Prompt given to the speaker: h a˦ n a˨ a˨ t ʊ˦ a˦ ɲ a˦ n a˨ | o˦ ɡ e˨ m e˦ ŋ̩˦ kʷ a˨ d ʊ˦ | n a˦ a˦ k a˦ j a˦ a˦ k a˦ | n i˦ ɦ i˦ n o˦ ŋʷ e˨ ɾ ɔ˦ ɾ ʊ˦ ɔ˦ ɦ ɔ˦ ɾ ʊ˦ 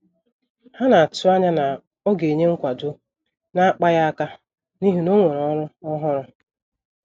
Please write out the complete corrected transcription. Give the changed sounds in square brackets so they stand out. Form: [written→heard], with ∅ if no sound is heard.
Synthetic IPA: h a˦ n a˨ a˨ t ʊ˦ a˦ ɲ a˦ n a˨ | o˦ ɡ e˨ [m→ɲ] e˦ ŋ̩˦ kʷ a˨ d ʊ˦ | n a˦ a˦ [k→k͡p] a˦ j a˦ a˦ k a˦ | n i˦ ɦ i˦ n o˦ ŋʷ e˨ ɾ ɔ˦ ɾ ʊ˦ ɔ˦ ɦ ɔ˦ ɾ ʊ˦